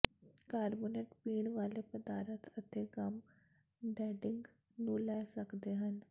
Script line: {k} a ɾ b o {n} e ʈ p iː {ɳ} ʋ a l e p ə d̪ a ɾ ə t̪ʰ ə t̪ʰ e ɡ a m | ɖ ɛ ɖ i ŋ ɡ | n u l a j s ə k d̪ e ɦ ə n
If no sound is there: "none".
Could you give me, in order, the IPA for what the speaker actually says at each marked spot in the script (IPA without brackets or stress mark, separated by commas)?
k, n, ɳ